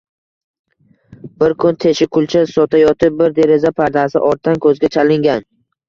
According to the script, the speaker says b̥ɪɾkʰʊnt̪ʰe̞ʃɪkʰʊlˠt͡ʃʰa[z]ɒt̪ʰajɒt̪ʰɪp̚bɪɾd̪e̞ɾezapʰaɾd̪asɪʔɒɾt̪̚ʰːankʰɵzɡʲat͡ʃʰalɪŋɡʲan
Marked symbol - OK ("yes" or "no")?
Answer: no